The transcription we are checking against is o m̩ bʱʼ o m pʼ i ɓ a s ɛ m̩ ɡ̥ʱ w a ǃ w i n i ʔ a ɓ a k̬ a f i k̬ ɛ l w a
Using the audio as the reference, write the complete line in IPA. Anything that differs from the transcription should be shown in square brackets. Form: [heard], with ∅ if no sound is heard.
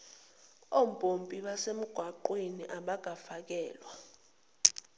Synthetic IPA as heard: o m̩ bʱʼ o m pʼ i ɓ a s [e] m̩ ɡ̥ʱ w a ǃ w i n i ʔ a ɓ a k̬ a f [a] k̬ [ɛː] l w a

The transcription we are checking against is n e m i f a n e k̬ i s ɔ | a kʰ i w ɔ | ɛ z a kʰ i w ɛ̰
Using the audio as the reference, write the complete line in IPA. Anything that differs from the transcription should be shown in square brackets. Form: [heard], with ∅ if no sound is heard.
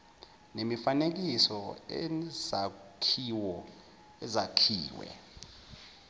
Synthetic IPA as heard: n e m i f a n e k̬ i s ɔ | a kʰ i w ɔ | ɛ z a kʰ [iː] w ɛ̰

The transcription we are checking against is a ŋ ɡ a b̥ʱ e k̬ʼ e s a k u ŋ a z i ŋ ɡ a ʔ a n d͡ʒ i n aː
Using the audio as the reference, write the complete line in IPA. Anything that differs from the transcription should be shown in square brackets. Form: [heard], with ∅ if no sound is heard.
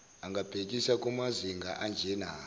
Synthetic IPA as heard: a ŋ ɡ a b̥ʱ e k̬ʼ [i] s a k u [m] a z i ŋ ɡ a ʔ a n d͡ʒ [e] n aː

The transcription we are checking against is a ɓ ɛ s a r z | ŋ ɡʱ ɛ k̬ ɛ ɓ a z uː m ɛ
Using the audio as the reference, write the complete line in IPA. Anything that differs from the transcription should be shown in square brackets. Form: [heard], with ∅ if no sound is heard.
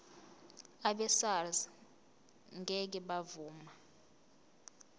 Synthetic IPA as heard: a ɓ ɛ s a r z | ŋ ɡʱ ɛ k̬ ɛ ɓ a [v] uː m [a]

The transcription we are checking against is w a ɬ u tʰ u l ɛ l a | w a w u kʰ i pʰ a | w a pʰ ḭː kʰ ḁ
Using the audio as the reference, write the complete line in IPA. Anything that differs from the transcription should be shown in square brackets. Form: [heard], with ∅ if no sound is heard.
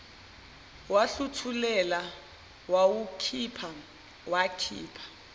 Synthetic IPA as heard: w a ɬ u tʰ u l ɛ l a | w a w u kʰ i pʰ a | w a [kʰ] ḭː [pʰ] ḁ

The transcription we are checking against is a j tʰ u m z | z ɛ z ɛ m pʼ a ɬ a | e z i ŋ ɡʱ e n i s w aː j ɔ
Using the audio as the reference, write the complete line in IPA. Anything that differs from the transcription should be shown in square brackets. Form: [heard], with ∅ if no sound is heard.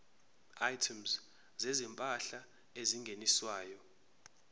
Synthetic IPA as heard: a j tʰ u m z | z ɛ z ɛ m pʼ a ɬ a | e z i ŋ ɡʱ e n i s w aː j ɔ

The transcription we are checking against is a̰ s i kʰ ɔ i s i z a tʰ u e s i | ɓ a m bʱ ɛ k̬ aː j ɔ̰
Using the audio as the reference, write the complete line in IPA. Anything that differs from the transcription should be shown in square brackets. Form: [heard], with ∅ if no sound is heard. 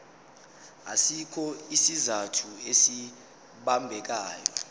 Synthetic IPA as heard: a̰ s i kʰ ɔ i s i z a tʰ u e s i | ɓ a m bʱ ɛ k̬ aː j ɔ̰

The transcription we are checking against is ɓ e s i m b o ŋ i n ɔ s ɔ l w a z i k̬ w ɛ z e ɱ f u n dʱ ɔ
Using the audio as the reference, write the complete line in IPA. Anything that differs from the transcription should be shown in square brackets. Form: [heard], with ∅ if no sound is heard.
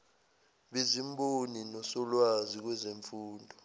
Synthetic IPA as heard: ɓ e [z] i m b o [n] i n ɔ s ɔ l w a z i k̬ w ɛ z e ɱ f [uː] n dʱ ɔ

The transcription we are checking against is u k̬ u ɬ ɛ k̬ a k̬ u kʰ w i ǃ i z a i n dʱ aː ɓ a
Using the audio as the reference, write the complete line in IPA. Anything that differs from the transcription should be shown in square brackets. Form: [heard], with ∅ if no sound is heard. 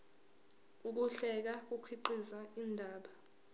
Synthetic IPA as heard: u k̬ u ɬ ɛ k̬ a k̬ u kʰ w i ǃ i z a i n dʱ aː ɓ a

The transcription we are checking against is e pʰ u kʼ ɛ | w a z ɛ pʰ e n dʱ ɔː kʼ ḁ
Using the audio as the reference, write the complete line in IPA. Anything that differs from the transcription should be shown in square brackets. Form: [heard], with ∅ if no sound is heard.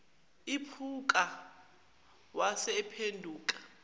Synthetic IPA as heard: [i] pʰ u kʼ [a] | w a [s] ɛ pʰ e n dʱ [uː] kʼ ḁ

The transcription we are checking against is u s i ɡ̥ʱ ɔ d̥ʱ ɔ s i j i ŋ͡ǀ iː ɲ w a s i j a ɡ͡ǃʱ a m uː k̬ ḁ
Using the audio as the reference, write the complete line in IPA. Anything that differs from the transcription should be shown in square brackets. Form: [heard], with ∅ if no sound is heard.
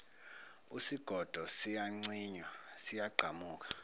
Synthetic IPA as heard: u s i ɡ̥ʱ ɔ d̥ʱ ɔ s i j [a] ŋ͡ǀ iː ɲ w a s i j a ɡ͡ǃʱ a m uː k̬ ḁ

